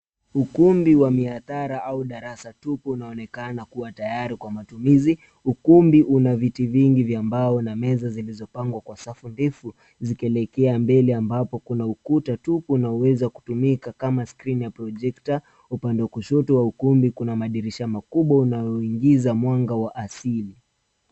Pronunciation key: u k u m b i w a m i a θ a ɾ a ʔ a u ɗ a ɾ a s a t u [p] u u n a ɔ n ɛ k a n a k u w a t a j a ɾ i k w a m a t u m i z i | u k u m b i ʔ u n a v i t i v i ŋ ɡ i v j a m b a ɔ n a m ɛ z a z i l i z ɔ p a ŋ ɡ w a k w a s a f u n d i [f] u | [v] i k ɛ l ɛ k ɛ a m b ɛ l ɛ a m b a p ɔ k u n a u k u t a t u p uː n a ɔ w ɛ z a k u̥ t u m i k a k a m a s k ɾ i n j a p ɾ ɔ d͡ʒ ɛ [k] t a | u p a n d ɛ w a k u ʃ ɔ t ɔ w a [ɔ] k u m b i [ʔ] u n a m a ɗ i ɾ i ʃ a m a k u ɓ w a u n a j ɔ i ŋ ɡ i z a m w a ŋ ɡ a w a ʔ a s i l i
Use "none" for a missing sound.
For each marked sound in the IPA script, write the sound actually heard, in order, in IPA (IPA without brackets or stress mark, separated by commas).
p, f, z, k, u, k